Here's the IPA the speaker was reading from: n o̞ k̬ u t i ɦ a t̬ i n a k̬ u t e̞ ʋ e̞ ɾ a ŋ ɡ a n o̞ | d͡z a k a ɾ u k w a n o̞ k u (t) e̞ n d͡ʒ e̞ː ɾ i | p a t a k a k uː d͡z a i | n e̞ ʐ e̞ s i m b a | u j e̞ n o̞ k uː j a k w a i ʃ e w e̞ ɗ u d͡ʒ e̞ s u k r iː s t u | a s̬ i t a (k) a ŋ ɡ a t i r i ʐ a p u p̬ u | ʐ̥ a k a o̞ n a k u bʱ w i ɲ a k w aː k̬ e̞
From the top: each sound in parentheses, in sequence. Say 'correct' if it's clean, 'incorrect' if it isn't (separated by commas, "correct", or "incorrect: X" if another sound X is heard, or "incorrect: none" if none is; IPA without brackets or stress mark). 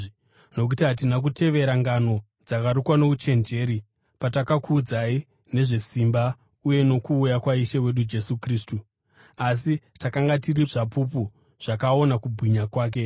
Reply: incorrect: t͡ʃ, correct